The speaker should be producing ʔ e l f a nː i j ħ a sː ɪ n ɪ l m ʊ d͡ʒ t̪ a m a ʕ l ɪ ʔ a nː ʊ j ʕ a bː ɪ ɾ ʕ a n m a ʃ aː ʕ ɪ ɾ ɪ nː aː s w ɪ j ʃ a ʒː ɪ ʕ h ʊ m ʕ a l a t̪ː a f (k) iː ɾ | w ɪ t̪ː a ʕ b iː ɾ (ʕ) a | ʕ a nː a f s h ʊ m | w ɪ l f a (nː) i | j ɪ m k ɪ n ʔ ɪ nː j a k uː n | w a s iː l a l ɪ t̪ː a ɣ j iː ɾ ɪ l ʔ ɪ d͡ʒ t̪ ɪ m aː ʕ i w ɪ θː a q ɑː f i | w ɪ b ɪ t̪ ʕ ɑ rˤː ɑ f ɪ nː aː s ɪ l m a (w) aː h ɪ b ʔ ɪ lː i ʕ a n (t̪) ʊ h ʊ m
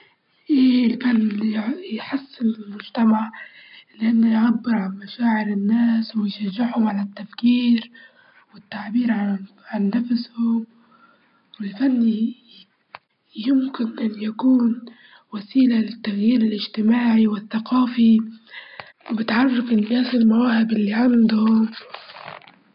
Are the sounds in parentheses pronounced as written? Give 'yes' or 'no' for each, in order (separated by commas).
yes, yes, yes, yes, no